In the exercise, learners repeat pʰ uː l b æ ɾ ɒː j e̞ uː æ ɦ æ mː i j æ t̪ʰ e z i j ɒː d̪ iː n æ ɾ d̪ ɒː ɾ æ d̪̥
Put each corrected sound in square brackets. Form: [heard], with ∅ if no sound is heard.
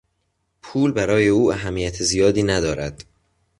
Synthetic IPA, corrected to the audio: pʰ uː l b æ ɾ ɒː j e̞ uː æ ɦ æ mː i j æ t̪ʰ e z i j ɒː d̪ iː n æ [∅] d̪ ɒː ɾ æ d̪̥

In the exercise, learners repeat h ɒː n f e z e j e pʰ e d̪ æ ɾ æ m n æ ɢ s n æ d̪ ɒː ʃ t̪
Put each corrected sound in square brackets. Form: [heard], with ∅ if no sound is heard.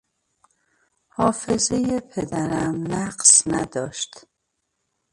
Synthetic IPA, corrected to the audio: h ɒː [∅] f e z e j e pʰ e d̪ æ ɾ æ m n æ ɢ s n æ d̪ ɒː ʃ t̪

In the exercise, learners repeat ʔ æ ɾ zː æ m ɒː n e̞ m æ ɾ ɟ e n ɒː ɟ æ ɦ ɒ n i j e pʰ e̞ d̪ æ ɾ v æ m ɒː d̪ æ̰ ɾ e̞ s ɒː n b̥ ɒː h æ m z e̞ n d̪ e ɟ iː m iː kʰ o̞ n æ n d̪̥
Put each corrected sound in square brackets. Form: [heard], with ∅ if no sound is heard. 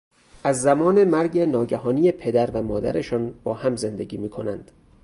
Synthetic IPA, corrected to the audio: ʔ æ [∅] zː æ m ɒː n e̞ m æ ɾ ɟ e n ɒː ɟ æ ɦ [ɒː] n i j e pʰ e̞ d̪ æ ɾ v æ m ɒː d̪ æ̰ ɾ e̞ [ʃ] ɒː n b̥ ɒː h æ m z e̞ n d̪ e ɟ iː m iː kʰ o̞ n æ n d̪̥

